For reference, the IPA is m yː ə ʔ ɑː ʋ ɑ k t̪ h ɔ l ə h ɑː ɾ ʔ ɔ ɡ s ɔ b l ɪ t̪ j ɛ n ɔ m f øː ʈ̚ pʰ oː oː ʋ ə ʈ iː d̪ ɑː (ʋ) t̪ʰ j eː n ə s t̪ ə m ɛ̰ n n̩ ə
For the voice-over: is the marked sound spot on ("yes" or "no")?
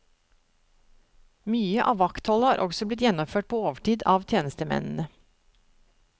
yes